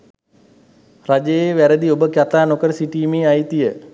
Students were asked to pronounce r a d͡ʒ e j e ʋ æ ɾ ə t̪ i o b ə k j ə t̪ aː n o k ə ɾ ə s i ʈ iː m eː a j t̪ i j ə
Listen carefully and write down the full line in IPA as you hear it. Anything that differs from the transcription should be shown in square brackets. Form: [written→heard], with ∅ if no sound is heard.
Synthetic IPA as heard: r a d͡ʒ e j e ʋ æ ɾ ə [t̪→d̪] i o b ə k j [ə→a] t̪ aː n o k ə ɾ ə s i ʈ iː m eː a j t̪ i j ə